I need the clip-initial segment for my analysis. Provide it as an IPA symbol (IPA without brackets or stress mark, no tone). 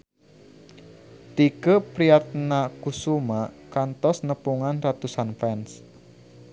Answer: t̪